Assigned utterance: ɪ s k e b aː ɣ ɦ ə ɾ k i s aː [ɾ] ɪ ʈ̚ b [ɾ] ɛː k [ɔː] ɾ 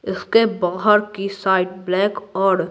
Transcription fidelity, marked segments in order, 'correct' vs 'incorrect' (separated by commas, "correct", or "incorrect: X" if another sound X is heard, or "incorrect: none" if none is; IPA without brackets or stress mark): incorrect: none, incorrect: l, correct